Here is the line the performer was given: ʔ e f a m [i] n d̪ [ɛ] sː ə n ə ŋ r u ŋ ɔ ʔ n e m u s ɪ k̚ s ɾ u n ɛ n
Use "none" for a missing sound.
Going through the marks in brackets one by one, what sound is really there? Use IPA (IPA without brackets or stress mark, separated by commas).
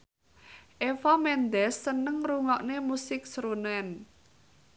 ɛ, ɛ